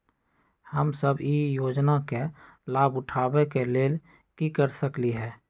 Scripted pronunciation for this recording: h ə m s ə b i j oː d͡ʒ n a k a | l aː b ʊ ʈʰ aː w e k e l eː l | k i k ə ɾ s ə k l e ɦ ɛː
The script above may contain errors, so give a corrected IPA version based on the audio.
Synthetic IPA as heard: h ə m s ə b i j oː d͡ʒ n a k e | l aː b ʊ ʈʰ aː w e k e l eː l | k i k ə ɾ s ə k l i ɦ ɛː